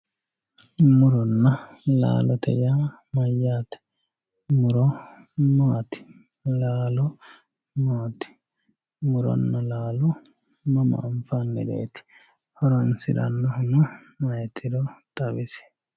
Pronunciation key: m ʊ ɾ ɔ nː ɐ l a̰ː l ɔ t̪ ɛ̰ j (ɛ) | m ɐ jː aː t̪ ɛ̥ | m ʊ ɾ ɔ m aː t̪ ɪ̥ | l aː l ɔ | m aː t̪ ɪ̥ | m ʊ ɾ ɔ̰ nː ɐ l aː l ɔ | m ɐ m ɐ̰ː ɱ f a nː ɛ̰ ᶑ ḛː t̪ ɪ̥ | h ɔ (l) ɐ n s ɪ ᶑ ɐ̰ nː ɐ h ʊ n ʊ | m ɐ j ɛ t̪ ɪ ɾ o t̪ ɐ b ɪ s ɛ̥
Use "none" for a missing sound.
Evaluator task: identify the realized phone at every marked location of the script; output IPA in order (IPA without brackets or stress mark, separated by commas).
a, ɾ